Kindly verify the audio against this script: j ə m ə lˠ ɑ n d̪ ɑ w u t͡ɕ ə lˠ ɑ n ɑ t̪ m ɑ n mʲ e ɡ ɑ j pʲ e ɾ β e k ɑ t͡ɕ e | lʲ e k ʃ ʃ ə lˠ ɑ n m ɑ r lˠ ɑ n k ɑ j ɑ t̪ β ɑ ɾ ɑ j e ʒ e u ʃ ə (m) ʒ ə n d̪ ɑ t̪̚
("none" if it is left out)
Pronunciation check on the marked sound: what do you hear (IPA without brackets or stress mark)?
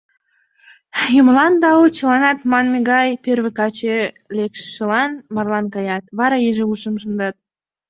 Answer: m